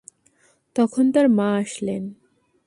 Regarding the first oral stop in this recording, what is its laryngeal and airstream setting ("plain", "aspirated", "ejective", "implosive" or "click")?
plain